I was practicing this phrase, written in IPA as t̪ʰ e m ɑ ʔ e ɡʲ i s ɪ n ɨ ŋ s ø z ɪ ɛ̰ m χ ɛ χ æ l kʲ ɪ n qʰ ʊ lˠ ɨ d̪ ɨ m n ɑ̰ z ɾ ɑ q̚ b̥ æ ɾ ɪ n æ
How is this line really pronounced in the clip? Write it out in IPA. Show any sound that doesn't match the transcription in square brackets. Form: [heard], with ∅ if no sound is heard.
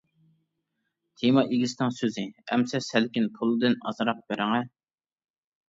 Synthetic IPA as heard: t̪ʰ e m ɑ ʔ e ɡʲ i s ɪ n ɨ ŋ s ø z ɪ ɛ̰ m [s] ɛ [s] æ l kʲ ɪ n [pʰ] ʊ lˠ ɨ d̪ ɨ [∅] n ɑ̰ z ɾ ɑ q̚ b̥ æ ɾ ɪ [ŋ] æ